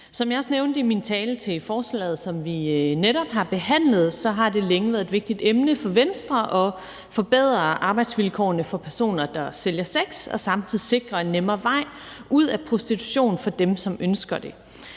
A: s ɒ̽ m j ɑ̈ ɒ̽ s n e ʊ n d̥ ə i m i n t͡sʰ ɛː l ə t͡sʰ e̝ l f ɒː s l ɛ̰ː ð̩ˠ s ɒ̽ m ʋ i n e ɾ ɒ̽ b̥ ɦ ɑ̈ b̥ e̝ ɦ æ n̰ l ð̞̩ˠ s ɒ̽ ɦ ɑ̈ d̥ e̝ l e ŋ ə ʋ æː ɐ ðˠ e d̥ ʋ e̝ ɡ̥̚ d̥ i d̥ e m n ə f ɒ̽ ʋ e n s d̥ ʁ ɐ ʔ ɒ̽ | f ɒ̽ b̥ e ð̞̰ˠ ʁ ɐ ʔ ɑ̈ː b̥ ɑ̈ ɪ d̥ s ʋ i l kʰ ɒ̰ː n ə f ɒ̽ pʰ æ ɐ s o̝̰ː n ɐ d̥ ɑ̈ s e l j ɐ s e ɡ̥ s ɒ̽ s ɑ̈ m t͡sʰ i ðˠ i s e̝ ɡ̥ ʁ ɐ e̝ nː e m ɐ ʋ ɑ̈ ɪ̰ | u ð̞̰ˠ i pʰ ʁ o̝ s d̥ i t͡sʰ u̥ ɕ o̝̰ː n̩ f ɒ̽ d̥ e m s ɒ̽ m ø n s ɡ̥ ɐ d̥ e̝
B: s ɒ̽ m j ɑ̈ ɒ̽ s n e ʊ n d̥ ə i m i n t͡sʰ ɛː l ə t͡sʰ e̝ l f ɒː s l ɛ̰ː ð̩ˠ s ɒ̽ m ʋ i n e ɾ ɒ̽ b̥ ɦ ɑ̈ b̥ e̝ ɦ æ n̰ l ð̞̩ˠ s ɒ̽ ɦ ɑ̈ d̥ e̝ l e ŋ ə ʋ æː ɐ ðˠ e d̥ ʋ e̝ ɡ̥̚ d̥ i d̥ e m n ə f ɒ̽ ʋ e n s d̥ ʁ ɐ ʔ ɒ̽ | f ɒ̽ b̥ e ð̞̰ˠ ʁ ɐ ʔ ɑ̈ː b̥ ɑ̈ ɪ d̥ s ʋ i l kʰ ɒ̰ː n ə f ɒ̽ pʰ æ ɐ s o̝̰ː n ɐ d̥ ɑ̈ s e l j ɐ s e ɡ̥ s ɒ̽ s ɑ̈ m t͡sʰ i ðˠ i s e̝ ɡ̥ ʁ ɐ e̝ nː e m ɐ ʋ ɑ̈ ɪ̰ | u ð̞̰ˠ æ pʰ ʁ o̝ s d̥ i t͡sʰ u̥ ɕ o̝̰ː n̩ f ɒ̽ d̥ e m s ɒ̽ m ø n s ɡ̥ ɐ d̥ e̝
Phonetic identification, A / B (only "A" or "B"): B